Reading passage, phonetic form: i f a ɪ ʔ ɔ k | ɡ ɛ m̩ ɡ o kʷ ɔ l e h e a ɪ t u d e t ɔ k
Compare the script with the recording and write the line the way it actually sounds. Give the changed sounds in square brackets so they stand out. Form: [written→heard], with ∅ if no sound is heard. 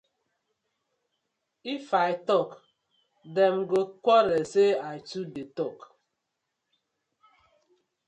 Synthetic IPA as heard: i f a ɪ [ʔ→t] ɔ k | [ɡ→d] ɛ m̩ ɡ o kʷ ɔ [l→ɾ] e [h→s] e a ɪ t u d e t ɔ k